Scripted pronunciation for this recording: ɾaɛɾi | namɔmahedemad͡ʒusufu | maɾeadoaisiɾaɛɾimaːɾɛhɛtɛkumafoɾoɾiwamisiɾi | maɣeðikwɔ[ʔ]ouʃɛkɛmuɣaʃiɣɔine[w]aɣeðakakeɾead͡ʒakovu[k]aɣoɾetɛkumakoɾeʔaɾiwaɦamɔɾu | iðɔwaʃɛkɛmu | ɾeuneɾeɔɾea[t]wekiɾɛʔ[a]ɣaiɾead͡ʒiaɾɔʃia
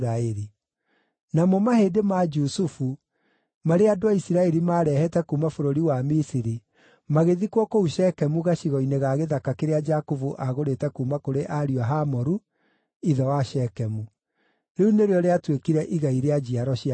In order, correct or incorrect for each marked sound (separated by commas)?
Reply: incorrect, incorrect, incorrect, correct, incorrect